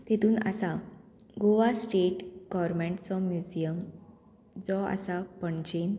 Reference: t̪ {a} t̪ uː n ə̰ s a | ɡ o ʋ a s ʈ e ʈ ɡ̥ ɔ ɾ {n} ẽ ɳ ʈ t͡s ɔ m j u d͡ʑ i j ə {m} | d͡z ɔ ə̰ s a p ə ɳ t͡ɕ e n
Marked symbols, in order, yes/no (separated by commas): no, no, yes